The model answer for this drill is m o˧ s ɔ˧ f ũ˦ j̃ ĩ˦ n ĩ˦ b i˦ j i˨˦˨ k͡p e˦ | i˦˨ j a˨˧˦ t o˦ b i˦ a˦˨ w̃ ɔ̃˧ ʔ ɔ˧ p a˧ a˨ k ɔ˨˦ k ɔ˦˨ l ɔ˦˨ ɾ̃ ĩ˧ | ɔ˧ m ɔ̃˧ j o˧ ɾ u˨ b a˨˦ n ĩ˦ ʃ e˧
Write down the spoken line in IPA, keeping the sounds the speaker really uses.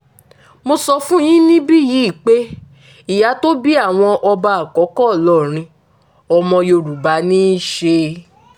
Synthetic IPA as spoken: m o˧ s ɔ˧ f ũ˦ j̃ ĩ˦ n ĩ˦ b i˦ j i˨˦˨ k͡p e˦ | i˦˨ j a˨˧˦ t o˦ b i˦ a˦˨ w̃ ɔ̃˧ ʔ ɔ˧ b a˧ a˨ k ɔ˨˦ k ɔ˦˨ l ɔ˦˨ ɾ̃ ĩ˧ | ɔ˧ m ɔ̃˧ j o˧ ɾ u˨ b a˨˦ n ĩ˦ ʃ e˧